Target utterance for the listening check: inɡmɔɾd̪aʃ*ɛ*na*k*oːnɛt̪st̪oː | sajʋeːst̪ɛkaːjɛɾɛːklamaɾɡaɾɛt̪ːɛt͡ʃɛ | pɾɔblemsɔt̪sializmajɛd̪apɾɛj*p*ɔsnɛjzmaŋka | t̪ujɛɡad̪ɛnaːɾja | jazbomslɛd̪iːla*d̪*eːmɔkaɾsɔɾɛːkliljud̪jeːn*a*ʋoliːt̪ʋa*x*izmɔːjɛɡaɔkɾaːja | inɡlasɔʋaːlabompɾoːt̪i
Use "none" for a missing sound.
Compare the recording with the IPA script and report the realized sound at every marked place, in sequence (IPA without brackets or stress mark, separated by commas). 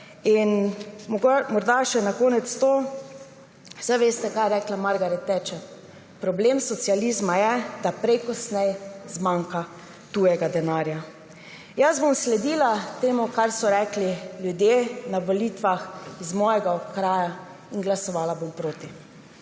ɛ, k, k, t̪, a, x